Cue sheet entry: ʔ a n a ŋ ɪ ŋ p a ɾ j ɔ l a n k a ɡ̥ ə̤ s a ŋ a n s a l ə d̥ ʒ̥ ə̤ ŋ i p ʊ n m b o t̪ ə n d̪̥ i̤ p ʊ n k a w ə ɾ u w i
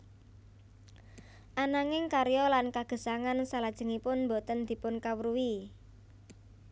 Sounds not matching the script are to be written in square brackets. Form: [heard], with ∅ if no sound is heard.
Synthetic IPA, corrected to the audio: ʔ a n a ŋ ɪ ŋ [k] a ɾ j ɔ l a n k a ɡ̥ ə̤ s a ŋ a n s a l [a] d̥ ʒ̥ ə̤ ŋ i p ʊ n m b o t̪ ə n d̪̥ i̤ p ʊ n k a w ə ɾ u w i